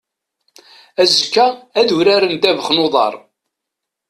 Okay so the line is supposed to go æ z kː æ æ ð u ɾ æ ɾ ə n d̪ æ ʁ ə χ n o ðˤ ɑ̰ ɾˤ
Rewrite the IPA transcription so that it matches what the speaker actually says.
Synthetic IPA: æ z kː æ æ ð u ɾ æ ɾ ə n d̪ æ v ə χ n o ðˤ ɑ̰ ɾˤ